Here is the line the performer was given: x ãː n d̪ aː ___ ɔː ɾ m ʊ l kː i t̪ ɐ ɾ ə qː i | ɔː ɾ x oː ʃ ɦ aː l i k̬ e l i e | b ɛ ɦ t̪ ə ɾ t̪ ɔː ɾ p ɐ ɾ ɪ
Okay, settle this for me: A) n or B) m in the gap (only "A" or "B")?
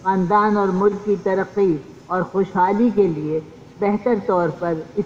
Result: A